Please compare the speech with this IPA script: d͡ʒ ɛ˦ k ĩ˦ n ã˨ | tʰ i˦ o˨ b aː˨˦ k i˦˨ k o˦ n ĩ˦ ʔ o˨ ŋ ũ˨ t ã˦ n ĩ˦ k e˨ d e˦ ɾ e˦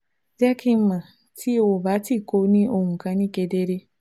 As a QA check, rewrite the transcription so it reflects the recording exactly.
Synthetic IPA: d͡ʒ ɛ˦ k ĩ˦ m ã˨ | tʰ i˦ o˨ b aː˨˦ t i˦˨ k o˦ n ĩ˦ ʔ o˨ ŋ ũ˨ k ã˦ n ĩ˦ k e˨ d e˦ ɾ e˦